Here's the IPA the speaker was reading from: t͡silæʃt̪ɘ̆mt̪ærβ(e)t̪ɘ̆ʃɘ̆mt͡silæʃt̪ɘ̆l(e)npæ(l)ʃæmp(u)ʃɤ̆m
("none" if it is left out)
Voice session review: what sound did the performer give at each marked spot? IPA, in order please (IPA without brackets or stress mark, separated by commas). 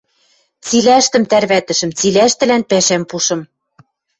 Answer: æ, æ, none, u